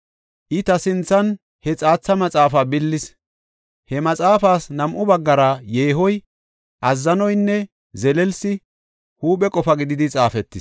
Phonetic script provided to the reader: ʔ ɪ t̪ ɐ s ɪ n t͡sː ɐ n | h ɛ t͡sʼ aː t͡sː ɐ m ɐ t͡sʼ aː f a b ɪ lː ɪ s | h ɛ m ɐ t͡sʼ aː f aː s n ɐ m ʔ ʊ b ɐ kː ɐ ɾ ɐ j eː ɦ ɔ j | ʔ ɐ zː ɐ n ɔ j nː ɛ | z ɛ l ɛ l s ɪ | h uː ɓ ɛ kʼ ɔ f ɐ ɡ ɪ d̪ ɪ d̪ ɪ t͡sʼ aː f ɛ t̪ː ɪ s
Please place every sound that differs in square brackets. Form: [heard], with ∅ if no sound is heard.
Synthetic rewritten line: ʔ ɪ t̪ ɐ s ɪ n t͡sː ɐ n | h ɛ t͡sʼ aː t͡sː ɐ m ɐ t͡sʼ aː f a b ɪ lː ɪ s | h ɛ m ɐ t͡sʼ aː f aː s n ɐ m ʔ ʊ b ɐ [ɡː] ɐ ɾ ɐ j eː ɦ ɔ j | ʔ ɐ zː ɐ n ɔ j nː ɛ | z ɛ l ɛ l s ɪ | h uː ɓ ɛ kʼ ɔ f ɐ ɡ ɪ d̪ ɪ d̪ ɪ t͡sʼ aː f ɛ t̪ː ɪ s